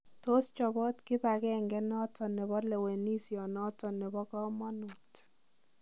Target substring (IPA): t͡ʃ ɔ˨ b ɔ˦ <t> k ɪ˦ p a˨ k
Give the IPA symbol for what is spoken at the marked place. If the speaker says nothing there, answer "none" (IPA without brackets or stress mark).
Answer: t